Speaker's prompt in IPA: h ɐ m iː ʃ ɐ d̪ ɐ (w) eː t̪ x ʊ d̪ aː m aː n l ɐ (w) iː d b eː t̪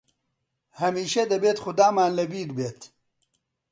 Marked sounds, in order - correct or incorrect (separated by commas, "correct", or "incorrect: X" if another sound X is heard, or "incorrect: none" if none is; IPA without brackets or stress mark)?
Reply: incorrect: b, incorrect: b